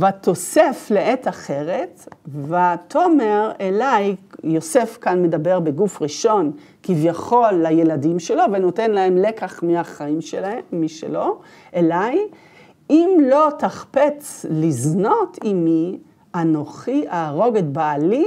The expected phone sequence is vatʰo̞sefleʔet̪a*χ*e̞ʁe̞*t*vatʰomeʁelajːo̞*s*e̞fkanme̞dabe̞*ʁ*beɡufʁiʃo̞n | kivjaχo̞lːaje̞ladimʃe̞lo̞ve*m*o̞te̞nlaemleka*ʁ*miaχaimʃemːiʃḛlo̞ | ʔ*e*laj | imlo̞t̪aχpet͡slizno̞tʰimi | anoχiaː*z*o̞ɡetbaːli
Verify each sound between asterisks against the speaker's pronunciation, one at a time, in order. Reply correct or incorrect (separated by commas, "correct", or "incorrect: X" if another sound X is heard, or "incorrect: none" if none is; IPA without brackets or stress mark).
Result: correct, correct, correct, correct, incorrect: n, incorrect: χ, correct, incorrect: ʁ